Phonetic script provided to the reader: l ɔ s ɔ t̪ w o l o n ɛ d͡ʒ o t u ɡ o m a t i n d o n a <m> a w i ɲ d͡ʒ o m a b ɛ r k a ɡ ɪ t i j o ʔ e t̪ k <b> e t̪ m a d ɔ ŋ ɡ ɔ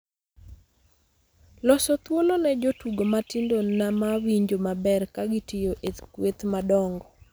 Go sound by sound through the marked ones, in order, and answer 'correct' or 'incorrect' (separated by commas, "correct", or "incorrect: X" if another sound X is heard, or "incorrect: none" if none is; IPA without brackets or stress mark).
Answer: correct, incorrect: w